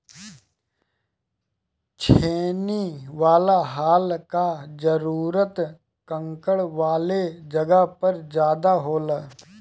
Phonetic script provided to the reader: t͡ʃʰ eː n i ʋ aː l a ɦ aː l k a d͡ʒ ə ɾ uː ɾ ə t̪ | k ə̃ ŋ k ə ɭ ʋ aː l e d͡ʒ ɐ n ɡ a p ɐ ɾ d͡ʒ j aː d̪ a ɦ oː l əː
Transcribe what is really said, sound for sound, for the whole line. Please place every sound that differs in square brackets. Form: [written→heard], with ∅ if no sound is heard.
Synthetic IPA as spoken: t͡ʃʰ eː n i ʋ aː l a ɦ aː l k a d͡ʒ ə ɾ uː ɾ ə t̪ | k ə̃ ŋ k ə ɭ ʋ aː l e d͡ʒ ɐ [n→∅] ɡ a p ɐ ɾ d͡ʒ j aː d̪ a ɦ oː l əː